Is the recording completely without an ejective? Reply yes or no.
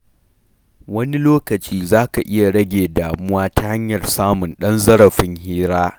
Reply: yes